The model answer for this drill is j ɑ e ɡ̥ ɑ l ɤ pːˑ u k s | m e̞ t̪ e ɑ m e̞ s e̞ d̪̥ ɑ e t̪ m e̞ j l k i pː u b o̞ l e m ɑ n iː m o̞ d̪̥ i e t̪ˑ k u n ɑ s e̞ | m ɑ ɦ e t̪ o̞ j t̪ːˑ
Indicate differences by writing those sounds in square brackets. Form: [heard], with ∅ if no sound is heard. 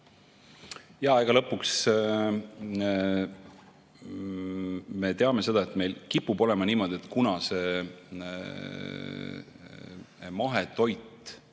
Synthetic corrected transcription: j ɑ e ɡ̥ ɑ l ɤ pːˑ u k s | m e̞ t̪ e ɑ m e̞ s e̞ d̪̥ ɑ e t̪ m e̞ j l k i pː u b o̞ l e m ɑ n iː m o̞ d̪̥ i e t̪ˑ k u n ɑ s e̞ | m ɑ ɦ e t̪ o̞ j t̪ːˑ

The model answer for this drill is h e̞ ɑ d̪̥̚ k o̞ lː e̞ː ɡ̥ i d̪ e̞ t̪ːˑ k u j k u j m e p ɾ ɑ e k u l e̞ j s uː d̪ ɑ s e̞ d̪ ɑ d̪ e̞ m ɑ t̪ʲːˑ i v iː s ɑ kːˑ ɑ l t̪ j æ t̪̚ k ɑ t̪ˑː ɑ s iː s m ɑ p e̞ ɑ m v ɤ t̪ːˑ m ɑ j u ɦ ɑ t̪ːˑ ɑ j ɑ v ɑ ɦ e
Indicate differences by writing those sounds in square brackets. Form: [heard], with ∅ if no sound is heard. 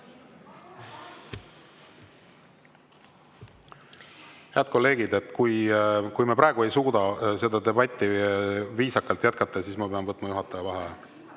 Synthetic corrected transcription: h e̞ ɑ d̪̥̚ k o̞ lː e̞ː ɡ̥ i d̪ e̞ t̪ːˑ k u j k u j m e p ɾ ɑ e [ɡ] u [∅] e̞ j s uː d̪ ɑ s e̞ d̪ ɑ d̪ e̞ [b] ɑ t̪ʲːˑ i v iː s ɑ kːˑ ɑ l t̪ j æ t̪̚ k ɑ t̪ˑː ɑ s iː s m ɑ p e̞ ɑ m v ɤ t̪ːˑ m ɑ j u ɦ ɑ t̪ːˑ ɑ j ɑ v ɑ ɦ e

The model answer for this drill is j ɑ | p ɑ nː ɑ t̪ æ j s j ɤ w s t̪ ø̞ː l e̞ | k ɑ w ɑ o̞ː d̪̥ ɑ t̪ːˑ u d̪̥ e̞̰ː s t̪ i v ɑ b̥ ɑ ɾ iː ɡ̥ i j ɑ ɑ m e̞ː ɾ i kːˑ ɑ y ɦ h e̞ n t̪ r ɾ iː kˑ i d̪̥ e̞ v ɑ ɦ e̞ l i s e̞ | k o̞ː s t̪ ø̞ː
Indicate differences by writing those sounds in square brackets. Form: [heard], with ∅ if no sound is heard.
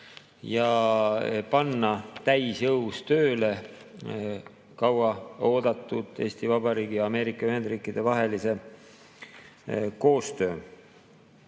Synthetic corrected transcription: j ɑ | p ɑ nː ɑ t̪ æ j s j ɤ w s t̪ ø̞ː l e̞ | k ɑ w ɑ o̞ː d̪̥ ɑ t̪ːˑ u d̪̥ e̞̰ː s t̪ i v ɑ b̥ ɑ ɾ iː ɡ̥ i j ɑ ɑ m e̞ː ɾ i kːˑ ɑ y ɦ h e̞ n [d̪] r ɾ iː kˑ i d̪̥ e̞ v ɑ ɦ e̞ l i s e̞ | k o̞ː s t̪ ø̞ː

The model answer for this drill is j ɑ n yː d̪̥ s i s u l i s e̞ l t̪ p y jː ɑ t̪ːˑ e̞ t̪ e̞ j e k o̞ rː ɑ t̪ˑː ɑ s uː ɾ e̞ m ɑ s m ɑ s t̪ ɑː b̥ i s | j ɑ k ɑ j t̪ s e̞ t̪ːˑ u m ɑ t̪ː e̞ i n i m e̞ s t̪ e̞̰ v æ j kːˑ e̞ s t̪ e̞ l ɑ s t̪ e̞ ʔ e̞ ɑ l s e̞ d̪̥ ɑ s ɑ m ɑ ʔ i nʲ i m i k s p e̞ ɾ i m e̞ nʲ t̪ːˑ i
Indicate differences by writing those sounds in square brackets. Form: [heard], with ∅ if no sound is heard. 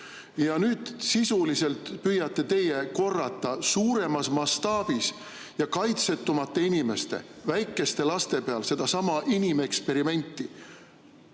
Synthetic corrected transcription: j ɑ n yː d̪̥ s i s u l i s e̞ l t̪ p y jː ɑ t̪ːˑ e̞ t̪ e̞ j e k o̞ rː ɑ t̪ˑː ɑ s uː ɾ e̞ m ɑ s m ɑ s t̪ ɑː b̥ i s | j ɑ k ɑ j t̪ s e̞ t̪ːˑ u m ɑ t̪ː e̞ i n i m e̞ s t̪ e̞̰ v æ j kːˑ e̞ s t̪ e̞ l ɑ s t̪ e̞ [p] e̞ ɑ l s e̞ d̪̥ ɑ s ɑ m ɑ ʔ i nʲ i m [e] k s p e̞ ɾ i m e̞ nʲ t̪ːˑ i

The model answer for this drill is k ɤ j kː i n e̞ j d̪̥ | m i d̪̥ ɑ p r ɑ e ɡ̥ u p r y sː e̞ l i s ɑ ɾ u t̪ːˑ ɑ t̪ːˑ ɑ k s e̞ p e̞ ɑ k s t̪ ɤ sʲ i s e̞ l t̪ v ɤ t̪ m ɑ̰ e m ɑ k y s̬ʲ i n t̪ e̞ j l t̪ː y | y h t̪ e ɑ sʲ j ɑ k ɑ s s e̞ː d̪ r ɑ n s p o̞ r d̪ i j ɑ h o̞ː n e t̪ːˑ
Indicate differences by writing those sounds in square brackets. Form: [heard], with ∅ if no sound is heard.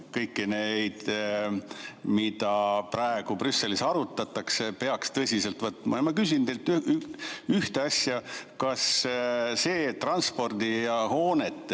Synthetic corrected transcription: k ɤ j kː i n e̞ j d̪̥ | m i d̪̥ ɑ p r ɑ e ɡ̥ u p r y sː e̞ l i s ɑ ɾ u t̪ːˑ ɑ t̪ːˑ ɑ k s e̞ p e̞ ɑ k s t̪ ɤ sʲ i s e̞ l t̪ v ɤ t̪ m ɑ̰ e m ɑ k y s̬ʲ i n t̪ e̞ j l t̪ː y | y h t̪ e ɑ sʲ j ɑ k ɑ s s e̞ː [t̪] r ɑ n s p o̞ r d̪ i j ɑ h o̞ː n e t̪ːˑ

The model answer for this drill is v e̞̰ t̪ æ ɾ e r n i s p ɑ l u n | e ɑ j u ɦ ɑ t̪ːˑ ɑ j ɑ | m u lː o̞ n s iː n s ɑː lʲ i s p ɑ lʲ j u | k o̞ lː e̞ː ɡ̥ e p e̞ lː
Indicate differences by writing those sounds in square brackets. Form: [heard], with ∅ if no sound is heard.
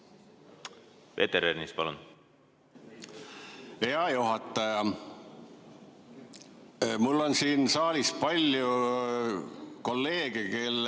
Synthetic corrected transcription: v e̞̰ t̪ [e] ɾ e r n i s p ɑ l u n | e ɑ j u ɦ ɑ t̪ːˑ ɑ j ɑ | m u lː o̞ n s iː n s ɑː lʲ i s p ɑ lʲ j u | k o̞ lː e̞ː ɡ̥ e [k] e̞ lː

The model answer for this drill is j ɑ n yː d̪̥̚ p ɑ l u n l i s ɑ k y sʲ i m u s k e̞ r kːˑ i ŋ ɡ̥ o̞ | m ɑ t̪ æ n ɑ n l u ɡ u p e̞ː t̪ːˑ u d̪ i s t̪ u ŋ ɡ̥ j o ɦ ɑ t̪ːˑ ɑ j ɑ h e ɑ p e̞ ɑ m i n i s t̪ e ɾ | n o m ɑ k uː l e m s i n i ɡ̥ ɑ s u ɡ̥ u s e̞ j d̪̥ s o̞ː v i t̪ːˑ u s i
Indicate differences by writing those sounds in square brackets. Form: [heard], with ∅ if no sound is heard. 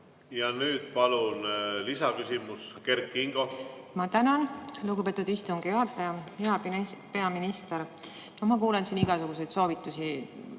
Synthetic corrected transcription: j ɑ n yː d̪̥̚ p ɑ l u n l i s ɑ k y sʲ i m u s k e̞ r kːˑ i ŋ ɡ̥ o̞ | m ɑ t̪ æ n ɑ n l u ɡ u p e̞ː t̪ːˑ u d̪ i s t̪ u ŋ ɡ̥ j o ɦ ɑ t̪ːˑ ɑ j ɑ h e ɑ p e̞ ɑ m i n i s t̪ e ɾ | n o m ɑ k uː l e [n] s i n i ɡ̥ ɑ s u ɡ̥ u s e̞ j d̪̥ s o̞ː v i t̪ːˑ u s i

